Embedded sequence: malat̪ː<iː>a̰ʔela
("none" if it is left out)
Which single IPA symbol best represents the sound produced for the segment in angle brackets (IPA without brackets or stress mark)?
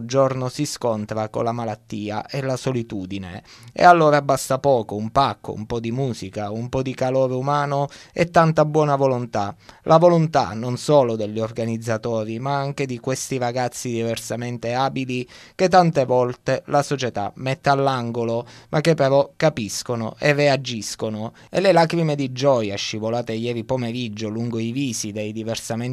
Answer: iː